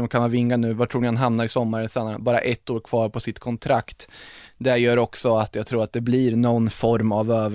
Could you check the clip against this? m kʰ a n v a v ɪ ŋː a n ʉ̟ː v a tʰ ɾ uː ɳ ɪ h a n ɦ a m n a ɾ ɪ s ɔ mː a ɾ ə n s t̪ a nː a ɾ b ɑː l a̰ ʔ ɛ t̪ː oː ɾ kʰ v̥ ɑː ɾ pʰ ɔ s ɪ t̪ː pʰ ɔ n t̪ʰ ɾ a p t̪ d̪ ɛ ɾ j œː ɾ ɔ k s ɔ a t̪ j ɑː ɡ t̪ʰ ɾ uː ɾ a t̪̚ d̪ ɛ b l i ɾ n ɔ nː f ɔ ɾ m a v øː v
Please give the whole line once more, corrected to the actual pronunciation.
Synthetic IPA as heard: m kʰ a n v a v ɪ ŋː a n ʉ̟ː v a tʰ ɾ uː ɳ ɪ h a n ɦ a m n a ɾ ɪ s ɔ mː a ɾ ə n s t̪ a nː a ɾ b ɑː ɾ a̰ ʔ ɛ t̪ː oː ɾ kʰ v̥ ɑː ɾ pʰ ɔ s ɪ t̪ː kʰ ɔ n t̪ʰ ɾ a k t̪ d̪ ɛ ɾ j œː ɾ ɔ k s ɔ a t̪ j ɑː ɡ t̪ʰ ɾ uː ɾ a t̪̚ d̪ ɛ b l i ɾ n ɔ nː f ɔ ɾ m a v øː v